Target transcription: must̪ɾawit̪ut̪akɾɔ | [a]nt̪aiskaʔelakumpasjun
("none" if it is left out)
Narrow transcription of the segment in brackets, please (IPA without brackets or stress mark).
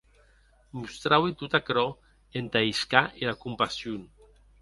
e